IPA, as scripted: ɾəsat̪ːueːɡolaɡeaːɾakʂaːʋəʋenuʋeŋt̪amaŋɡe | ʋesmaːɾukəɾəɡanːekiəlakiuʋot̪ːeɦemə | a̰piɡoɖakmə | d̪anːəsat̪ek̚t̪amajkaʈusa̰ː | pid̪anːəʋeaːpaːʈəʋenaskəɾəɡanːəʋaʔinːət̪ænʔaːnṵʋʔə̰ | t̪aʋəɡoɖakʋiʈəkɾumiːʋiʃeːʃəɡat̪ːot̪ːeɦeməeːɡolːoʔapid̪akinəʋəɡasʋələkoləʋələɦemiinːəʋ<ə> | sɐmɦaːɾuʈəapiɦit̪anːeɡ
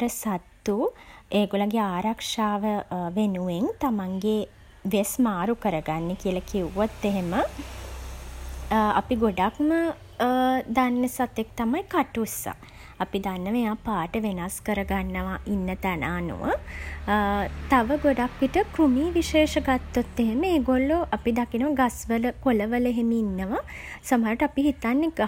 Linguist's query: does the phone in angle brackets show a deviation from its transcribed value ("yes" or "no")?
yes